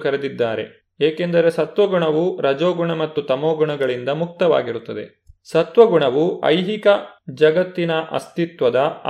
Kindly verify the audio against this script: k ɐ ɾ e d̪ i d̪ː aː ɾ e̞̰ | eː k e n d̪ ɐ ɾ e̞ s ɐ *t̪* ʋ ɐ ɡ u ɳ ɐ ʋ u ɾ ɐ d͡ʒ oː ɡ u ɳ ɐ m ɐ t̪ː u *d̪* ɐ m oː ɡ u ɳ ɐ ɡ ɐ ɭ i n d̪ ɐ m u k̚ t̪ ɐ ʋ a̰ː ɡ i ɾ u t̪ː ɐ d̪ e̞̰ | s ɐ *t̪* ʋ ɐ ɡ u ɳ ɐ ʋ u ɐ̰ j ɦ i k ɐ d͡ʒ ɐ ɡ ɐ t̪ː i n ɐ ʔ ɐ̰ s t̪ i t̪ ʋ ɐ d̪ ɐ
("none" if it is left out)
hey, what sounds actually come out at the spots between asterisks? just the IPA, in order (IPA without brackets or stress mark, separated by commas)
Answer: t̪, t̪, t̪